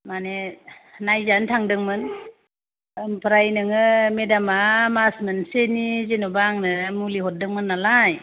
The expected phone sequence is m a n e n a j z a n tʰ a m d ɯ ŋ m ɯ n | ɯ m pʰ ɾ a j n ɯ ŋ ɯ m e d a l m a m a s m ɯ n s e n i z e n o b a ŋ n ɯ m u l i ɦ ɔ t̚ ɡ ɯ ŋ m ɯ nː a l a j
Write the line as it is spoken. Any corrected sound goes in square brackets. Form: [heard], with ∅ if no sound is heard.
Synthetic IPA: m a n e n a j z a n tʰ a [ŋ] d ɯ ŋ m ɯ n | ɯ m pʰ ɾ a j n ɯ ŋ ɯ m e d a [∅] m a m a s m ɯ n s e n i z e n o b a ŋ n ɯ m u l i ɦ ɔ t̚ [d] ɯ ŋ m ɯ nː a l a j